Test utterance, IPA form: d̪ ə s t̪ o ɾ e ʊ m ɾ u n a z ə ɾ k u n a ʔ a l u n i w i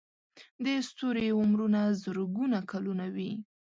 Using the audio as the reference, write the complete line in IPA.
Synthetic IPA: d̪ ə s t̪ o ɾ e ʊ m ɾ u n a z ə ɾ ɡ u n a k a l u n a w i